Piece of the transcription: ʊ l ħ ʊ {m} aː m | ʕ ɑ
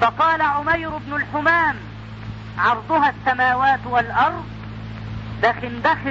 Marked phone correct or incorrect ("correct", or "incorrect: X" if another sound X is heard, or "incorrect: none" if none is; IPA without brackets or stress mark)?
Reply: correct